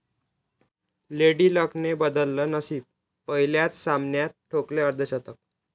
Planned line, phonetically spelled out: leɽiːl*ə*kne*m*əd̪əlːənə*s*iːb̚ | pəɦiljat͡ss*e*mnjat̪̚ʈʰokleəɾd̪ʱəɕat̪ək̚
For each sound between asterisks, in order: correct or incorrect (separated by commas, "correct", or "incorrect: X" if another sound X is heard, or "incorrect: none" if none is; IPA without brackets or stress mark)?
correct, incorrect: b, correct, incorrect: a